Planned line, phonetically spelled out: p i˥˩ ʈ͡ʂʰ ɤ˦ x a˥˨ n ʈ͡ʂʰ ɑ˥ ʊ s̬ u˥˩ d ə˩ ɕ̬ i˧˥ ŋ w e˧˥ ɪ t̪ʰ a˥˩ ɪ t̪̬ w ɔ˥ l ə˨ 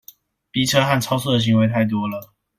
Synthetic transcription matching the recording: p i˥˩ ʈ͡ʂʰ ɤ˦ x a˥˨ n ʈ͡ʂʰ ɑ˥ ʊ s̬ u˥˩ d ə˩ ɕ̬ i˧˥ ŋ w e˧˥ ɪ t̪ʰ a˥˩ ɪ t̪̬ w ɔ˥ l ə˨